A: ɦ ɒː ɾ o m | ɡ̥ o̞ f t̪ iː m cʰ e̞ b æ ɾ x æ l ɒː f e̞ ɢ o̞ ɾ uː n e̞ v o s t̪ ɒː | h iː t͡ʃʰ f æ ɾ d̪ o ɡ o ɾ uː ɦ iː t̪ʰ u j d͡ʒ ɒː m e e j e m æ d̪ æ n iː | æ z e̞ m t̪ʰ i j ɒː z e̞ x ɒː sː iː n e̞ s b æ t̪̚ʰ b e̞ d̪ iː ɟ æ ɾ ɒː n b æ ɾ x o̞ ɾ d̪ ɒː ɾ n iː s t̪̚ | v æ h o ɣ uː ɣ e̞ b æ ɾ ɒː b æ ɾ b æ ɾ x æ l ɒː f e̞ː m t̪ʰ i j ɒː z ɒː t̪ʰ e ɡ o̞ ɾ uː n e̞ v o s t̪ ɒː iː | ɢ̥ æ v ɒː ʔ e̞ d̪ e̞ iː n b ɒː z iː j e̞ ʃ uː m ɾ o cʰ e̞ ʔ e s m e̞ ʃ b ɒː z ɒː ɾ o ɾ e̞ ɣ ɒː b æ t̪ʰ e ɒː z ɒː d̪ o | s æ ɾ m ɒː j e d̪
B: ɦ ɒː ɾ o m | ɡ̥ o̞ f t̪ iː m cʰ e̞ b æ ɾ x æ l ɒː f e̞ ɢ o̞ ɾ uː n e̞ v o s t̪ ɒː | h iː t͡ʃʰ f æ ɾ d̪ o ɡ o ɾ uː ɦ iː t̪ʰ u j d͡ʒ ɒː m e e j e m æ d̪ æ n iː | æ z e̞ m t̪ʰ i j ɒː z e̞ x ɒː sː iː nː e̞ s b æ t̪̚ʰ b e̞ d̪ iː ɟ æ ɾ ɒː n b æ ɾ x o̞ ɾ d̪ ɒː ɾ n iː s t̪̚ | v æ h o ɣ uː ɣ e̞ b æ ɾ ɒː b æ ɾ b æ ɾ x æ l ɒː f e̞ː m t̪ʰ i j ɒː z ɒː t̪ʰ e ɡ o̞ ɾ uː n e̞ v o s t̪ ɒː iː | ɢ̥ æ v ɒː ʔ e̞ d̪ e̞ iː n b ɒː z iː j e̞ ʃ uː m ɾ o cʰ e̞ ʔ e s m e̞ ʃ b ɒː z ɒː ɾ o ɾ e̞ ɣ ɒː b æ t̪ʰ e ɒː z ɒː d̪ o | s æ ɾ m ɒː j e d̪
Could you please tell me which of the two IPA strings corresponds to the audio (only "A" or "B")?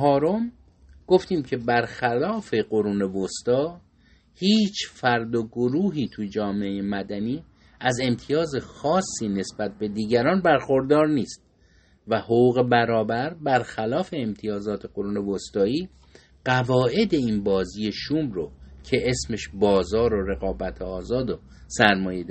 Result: A